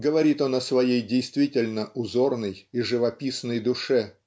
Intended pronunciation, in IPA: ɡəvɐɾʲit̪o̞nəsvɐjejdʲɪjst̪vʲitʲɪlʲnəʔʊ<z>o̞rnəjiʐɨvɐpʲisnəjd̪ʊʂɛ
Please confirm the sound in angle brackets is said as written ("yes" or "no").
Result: yes